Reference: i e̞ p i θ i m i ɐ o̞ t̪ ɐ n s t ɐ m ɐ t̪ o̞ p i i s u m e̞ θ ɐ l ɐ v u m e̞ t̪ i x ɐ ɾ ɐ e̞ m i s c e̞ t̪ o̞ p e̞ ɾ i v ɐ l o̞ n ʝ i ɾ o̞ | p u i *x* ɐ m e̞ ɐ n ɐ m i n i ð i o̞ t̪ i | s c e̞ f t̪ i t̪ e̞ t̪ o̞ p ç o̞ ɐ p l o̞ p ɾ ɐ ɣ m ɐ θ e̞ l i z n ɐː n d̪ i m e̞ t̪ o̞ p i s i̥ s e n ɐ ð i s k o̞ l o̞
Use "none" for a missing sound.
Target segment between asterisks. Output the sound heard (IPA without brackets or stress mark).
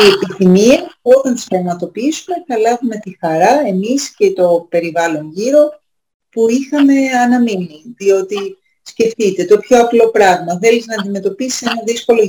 x